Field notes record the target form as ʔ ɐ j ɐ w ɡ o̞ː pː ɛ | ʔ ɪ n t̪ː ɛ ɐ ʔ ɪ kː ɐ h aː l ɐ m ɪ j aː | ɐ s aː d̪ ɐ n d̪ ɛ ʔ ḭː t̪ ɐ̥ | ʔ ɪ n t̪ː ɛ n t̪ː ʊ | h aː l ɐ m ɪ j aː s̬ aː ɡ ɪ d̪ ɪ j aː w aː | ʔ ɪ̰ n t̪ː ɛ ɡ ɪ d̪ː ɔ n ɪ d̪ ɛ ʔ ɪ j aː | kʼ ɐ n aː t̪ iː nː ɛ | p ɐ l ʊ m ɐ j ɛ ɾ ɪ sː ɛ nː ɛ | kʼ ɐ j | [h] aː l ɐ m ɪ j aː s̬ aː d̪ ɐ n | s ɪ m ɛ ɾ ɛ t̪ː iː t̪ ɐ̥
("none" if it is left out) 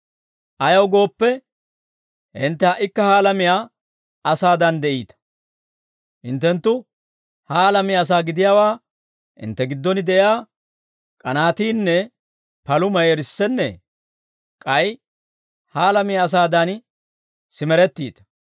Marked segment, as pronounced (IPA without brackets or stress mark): h